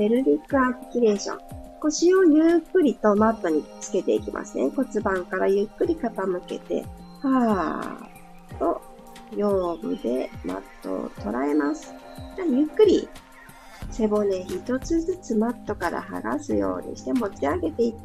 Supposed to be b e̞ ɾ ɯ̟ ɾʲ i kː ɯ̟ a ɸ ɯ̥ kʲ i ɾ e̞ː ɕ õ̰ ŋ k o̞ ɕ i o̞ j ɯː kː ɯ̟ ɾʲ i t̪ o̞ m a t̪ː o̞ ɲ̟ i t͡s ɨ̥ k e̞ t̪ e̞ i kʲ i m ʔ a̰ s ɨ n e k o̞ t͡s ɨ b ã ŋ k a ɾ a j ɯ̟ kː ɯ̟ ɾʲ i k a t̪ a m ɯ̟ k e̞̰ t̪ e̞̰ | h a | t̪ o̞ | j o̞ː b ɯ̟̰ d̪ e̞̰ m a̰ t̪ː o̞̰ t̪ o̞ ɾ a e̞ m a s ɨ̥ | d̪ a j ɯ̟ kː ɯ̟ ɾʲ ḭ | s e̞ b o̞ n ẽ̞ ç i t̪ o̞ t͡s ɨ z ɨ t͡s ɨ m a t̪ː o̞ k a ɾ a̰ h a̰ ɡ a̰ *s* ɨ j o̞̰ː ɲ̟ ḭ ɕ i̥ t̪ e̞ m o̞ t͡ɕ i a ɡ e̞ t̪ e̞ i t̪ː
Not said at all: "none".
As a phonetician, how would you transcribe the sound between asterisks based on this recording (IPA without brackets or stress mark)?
s